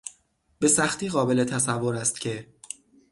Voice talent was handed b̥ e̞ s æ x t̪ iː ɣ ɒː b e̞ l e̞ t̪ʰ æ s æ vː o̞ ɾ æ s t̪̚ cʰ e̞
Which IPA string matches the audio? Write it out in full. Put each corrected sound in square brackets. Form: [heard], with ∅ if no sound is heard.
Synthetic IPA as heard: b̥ e̞ s æ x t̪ iː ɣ ɒː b e̞ l e̞ t̪ʰ æ s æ vː o̞ ɾ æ s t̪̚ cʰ e̞